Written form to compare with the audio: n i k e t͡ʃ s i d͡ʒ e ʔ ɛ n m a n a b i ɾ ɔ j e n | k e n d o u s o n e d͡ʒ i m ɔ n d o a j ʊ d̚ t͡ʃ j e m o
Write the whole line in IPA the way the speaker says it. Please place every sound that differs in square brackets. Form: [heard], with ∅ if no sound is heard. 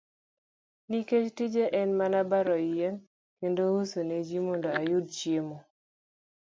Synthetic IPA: n i k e t͡ʃ [t] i d͡ʒ e ʔ ɛ n m a n a b [a] ɾ ɔ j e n | k e n d o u s o n e d͡ʒ i m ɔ n d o a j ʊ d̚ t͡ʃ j e m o

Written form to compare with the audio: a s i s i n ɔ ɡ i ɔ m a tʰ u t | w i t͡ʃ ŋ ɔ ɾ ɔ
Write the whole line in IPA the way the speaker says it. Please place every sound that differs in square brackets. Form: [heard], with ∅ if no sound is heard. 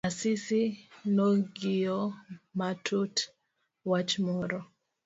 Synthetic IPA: a s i s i n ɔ ɡ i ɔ m a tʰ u t | w [a] t͡ʃ [m] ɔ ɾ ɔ

